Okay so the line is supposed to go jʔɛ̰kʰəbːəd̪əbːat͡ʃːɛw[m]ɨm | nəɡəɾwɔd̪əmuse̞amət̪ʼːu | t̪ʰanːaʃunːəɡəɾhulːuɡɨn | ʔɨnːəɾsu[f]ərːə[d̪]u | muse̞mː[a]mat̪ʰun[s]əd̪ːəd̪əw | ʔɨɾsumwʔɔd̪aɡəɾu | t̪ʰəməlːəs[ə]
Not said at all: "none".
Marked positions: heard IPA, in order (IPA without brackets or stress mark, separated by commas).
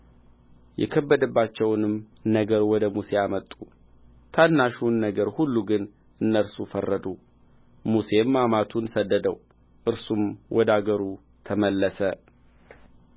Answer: n, f, d̪, a, s, ə